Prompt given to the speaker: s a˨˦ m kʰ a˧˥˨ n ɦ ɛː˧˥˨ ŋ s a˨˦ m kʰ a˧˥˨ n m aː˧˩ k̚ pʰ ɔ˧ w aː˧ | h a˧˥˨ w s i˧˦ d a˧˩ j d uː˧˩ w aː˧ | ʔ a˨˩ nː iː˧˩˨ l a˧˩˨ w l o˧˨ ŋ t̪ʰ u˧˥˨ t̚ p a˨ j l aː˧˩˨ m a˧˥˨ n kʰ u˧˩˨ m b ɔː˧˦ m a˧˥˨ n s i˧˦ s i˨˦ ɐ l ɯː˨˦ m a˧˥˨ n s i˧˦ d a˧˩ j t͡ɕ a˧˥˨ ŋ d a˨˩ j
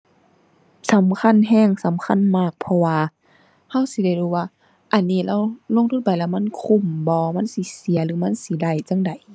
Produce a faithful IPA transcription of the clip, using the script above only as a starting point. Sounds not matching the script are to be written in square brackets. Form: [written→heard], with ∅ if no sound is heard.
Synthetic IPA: s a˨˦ m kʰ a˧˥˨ n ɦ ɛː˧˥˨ ŋ s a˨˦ m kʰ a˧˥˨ n m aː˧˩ k̚ pʰ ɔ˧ w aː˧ | h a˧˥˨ w s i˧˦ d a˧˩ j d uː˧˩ w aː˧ | ʔ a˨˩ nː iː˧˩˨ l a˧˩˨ w l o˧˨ ŋ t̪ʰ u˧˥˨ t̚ p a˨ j l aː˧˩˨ m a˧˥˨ n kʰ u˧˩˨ m b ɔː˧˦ m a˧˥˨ n s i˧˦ s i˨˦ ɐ l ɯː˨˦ m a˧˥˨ n s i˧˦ d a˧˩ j t͡ɕ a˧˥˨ ŋ d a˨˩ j